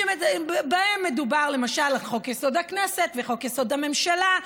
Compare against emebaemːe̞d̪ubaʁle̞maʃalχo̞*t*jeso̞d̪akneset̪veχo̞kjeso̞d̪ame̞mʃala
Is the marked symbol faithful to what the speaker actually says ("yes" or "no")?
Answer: no